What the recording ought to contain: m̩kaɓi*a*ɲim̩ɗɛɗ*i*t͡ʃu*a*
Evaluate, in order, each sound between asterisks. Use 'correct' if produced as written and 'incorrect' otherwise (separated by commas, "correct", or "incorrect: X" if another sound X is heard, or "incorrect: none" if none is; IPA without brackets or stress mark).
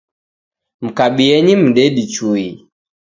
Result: incorrect: ɛ, correct, incorrect: i